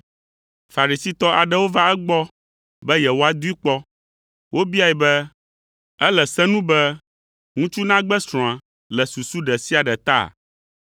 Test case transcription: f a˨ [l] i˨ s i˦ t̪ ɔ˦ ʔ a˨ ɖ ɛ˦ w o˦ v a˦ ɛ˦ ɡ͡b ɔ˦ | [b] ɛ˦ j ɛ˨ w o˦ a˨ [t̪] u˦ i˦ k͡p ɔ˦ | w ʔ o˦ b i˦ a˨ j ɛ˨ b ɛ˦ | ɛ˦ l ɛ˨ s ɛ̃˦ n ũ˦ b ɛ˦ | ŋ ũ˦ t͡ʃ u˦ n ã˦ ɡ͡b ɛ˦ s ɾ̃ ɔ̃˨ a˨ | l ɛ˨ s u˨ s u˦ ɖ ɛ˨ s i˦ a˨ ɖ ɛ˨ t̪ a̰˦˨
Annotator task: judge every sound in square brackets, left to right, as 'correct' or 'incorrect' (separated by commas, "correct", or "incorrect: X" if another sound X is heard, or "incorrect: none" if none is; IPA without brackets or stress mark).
incorrect: ɾ, correct, incorrect: d̪